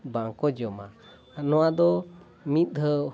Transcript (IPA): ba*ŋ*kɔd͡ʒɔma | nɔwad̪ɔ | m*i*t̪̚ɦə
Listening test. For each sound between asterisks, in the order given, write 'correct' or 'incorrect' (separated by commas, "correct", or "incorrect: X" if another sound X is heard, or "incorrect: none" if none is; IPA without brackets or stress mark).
correct, correct